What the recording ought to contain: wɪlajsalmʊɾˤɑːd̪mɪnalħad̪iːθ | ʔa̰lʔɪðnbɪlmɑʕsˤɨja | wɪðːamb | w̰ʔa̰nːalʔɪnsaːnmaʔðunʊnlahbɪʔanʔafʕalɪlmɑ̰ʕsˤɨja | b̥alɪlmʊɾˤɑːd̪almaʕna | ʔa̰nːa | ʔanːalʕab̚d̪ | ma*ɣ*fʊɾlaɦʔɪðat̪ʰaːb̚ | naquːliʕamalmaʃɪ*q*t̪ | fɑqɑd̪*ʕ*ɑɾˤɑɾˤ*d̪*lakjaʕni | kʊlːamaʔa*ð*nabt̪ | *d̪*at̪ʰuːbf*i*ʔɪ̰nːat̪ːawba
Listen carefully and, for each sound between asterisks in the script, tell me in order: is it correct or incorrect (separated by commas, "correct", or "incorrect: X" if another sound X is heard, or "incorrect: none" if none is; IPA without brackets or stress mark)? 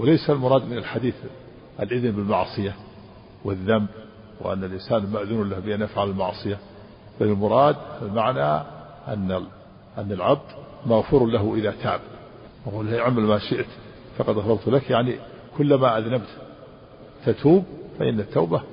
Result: correct, incorrect: ʔ, incorrect: ɣ, incorrect: t̪, correct, incorrect: t̪, incorrect: a